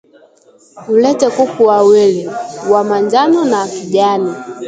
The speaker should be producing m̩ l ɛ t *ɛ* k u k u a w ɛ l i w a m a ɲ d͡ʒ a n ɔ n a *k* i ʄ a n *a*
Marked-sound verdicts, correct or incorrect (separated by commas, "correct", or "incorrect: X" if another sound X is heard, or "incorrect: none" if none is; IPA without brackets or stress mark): correct, correct, incorrect: i